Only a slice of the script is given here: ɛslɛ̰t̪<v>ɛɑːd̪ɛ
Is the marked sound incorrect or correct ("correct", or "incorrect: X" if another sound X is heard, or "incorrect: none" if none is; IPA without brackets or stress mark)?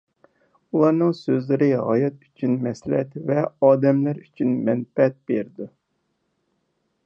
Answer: correct